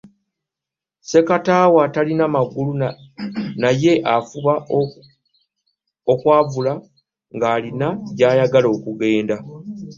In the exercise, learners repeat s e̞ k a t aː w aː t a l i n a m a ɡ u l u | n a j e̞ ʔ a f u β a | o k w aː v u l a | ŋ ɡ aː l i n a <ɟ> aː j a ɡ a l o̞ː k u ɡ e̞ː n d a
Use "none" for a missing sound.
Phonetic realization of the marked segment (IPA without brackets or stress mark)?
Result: ɟ